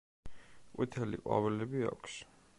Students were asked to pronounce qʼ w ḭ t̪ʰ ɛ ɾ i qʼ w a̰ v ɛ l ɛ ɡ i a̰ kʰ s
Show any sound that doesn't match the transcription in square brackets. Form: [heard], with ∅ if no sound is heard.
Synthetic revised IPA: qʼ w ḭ t̪ʰ ɛ [l] i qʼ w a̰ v ɛ l ɛ [b] i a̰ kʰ s